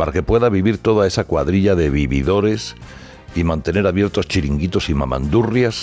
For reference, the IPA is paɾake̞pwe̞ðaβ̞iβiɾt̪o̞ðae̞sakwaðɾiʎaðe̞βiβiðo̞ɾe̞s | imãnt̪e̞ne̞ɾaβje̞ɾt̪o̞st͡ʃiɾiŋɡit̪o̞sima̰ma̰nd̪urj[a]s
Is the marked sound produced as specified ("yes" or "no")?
yes